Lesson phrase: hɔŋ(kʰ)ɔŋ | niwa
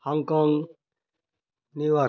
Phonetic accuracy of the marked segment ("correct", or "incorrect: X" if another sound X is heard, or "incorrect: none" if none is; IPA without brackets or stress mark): incorrect: k